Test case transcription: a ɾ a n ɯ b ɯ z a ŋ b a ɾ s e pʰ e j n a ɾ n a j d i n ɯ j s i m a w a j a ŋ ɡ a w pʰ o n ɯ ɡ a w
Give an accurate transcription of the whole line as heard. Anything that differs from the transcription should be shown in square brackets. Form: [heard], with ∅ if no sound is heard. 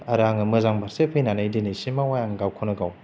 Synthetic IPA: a ɾ a [ŋ] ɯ [m] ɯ z a ŋ b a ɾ s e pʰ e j n a [∅] n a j d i n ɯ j s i m a w a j a ŋ ɡ a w [kʰ] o n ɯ ɡ a w